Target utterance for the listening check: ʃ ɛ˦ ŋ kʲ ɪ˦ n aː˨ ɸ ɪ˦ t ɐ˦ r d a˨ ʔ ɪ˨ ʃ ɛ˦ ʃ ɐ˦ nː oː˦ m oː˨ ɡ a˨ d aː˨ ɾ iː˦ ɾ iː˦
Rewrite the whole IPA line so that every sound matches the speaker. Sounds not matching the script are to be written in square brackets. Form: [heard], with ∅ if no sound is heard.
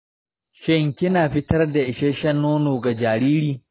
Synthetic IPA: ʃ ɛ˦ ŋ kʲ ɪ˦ n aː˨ ɸ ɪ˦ t ɐ˦ r d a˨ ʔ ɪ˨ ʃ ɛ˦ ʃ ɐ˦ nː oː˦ [n] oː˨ ɡ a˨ [d͡ʒ] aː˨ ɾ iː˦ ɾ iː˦